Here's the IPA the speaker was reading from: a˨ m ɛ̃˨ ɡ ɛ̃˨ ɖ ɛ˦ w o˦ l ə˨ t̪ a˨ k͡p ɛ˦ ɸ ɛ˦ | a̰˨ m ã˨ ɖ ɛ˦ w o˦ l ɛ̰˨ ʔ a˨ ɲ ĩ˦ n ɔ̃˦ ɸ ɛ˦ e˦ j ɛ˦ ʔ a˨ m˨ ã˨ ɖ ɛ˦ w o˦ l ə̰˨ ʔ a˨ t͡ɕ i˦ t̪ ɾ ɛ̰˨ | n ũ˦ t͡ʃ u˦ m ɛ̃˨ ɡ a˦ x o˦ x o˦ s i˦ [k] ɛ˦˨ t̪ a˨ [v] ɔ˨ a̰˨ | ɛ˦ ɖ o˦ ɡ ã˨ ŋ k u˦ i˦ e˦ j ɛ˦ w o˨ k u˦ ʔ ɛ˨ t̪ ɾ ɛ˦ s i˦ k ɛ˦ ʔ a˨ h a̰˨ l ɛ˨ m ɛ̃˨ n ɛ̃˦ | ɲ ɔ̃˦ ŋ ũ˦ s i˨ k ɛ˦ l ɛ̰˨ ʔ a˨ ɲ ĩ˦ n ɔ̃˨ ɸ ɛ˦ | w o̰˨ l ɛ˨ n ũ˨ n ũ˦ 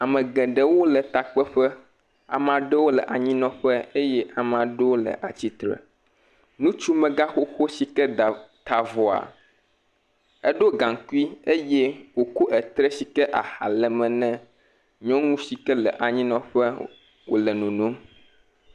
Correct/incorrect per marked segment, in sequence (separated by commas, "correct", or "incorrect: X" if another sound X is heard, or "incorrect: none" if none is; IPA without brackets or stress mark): correct, correct